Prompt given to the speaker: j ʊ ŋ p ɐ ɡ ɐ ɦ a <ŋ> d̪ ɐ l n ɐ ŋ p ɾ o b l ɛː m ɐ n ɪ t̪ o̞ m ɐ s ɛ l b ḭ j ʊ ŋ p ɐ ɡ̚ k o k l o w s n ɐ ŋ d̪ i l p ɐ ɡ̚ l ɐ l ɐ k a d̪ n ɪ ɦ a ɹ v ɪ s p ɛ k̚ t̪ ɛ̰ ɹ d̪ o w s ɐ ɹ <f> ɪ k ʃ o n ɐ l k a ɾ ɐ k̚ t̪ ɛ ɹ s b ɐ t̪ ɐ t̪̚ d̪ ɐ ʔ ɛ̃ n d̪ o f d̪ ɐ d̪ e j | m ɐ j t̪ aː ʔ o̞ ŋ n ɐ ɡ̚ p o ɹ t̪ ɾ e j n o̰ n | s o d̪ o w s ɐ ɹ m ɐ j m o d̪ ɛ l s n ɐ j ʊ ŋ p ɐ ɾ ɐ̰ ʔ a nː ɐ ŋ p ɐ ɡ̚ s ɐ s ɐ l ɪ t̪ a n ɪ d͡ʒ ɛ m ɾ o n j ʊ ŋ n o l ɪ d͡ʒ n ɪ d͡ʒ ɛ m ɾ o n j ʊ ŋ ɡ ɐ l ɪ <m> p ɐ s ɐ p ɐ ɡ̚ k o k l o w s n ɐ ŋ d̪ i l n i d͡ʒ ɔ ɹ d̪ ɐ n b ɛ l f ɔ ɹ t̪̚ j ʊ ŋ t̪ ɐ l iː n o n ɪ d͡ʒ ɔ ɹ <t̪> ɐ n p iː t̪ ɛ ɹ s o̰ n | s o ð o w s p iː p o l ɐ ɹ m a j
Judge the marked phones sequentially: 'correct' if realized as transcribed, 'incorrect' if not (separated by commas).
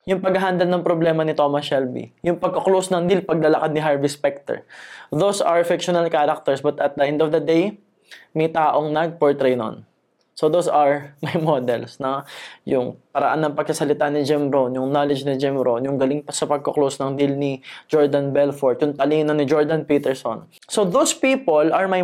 incorrect, correct, incorrect, incorrect